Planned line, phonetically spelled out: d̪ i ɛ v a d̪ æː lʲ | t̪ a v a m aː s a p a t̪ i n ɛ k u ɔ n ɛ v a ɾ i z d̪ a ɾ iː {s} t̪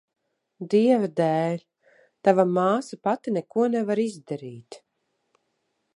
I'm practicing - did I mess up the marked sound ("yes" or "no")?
yes